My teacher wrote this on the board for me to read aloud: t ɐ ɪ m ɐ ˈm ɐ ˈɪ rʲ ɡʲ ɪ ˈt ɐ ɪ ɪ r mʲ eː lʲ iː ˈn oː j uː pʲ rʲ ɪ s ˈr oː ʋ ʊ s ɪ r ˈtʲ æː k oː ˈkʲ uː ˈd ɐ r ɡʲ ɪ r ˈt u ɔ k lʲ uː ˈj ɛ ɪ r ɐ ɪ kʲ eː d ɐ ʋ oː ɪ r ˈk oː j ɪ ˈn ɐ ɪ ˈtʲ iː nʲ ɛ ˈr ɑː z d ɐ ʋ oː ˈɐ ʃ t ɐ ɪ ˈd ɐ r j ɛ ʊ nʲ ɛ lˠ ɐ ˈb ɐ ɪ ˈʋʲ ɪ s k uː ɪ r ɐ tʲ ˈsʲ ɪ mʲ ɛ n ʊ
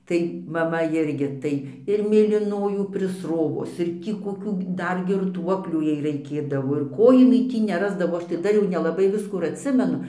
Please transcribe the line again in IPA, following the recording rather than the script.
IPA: t ɐ ɪ m ɐ ˈm ɐ ˈɪ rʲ ɡʲ ɪ ˈt ɐ ɪ ɪ r mʲ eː lʲ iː ˈn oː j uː pʲ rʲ ɪ s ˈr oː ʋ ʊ s ɪ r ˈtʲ iː k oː ˈkʲ uː ˈd ɐ r ɡʲ ɪ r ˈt u ɔ k lʲ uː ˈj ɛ ɪ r ɐ ɪ kʲ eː d ɐ ʋ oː ɪ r ˈk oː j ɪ ˈn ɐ ɪ ˈtʲ iː nʲ ɛ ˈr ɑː z d ɐ ʋ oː ˈɐ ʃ t ɐ ɪ ˈd ɐ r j ɛ ʊ nʲ ɛ lˠ ɐ ˈb ɐ ɪ ˈʋʲ ɪ s k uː ɪ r ɐ tʲ ˈsʲ ɪ mʲ ɛ n ʊ